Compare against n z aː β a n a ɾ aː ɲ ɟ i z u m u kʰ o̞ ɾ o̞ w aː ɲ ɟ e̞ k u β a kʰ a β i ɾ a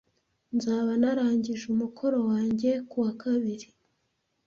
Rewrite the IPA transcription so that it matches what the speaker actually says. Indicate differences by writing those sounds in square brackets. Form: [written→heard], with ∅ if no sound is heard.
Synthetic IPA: n z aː β a n a ɾ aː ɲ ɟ i [z→ʒ] u m u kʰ o̞ ɾ o̞ w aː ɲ ɟ e̞ k u [β→w] a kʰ a β i ɾ [a→i]